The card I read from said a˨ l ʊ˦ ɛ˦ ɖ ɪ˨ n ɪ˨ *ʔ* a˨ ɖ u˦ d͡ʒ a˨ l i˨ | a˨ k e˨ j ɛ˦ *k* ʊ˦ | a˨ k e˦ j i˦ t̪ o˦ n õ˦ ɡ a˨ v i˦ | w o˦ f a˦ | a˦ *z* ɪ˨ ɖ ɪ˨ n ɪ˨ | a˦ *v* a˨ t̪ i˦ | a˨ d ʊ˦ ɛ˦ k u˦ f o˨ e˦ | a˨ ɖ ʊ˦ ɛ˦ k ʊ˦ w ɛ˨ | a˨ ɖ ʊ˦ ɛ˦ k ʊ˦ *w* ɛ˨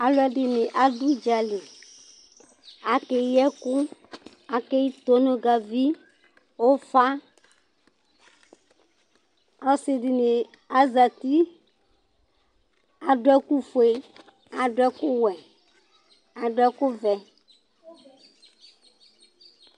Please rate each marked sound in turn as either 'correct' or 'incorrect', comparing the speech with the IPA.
correct, correct, incorrect: s, incorrect: z, incorrect: v

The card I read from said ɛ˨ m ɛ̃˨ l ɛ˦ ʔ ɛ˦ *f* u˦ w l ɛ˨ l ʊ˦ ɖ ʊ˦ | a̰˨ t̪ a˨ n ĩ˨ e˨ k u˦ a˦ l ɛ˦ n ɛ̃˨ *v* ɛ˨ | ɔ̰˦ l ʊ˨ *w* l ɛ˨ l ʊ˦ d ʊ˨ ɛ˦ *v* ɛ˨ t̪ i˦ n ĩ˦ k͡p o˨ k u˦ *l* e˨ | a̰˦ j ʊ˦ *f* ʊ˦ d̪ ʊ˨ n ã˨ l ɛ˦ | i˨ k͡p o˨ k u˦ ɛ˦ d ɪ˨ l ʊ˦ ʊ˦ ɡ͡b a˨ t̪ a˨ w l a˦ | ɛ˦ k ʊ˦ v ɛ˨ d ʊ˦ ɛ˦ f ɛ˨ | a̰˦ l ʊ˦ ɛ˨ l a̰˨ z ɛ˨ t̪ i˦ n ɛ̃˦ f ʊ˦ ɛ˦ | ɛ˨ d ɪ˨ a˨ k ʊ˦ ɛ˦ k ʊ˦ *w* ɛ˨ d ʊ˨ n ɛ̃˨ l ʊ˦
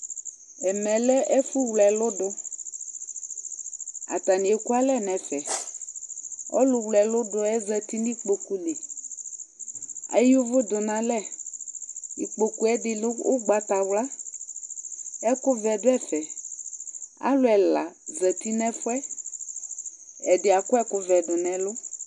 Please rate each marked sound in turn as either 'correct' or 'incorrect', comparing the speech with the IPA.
correct, incorrect: f, correct, incorrect: z, correct, incorrect: v, incorrect: v

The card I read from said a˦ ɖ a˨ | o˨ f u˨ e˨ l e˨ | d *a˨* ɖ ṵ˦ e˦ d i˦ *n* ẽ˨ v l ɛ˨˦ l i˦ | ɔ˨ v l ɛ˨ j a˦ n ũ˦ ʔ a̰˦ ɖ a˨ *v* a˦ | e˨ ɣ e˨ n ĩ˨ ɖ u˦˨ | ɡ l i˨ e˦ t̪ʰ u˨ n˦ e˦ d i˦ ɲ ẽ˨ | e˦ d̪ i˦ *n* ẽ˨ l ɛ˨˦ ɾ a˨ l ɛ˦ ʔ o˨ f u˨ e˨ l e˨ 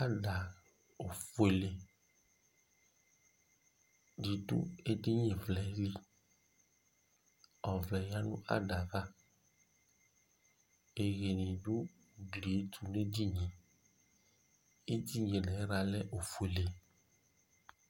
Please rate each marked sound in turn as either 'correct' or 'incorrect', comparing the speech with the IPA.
incorrect: i˨, incorrect: ɲ, correct, incorrect: ɲ

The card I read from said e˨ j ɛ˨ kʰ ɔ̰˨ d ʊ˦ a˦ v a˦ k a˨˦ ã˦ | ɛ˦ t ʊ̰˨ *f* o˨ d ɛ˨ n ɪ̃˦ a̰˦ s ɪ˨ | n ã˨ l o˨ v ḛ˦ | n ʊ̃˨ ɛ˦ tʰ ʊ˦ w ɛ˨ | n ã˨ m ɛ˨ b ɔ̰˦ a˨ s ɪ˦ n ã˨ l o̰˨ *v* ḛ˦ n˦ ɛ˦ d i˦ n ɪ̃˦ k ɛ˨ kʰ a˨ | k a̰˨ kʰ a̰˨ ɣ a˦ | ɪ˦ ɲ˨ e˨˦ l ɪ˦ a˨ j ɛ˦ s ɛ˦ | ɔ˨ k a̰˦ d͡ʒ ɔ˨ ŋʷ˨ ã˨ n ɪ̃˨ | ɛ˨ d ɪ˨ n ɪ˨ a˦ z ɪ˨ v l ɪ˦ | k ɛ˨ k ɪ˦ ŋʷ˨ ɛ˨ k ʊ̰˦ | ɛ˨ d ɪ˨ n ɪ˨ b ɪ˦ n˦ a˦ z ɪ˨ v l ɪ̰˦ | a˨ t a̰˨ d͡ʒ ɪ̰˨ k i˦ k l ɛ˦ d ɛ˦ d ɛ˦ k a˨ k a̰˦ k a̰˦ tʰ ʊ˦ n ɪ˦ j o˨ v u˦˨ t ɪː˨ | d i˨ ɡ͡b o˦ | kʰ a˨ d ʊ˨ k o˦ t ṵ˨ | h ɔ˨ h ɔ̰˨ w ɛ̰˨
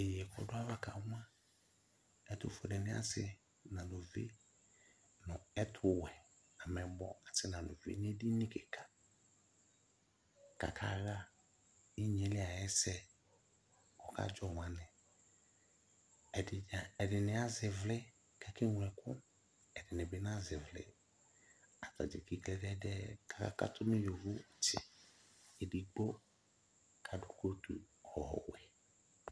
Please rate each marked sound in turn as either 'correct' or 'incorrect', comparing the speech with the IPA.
correct, correct

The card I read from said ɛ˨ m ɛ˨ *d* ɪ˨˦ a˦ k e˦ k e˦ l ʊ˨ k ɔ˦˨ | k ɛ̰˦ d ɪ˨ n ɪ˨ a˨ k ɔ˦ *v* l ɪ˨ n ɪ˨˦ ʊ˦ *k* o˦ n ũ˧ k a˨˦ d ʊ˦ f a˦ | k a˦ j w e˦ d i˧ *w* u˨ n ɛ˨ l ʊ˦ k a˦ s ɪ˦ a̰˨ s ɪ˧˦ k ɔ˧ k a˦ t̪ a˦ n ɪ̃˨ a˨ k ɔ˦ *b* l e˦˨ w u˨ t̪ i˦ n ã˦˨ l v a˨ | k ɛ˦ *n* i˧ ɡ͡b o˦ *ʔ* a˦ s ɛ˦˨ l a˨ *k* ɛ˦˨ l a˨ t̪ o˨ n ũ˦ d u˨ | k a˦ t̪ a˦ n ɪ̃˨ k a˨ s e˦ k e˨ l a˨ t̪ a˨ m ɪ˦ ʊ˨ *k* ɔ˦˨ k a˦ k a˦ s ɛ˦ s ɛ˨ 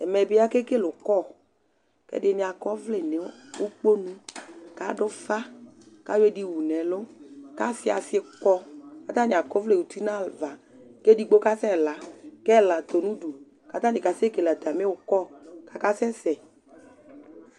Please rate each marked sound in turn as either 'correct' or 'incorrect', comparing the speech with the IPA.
incorrect: b, correct, incorrect: k͡p, correct, incorrect: v, incorrect: d, incorrect: k, correct, correct

